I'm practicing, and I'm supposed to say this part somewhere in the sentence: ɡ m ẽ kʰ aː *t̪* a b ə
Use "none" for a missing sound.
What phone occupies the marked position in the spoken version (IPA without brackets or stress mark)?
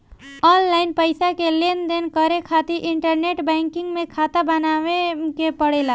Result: t̪